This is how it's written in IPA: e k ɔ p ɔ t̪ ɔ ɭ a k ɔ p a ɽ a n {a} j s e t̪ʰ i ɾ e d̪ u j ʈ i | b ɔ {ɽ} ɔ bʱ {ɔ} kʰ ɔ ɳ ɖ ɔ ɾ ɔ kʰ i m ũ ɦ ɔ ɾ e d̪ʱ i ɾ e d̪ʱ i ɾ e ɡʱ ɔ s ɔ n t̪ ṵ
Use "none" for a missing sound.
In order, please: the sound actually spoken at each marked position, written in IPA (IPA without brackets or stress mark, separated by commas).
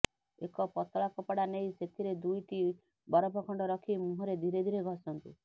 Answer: e, ɾ, ɔ